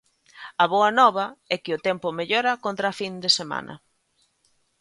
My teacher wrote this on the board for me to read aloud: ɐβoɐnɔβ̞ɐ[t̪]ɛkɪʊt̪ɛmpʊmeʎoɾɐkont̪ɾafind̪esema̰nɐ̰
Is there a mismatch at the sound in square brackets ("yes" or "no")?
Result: yes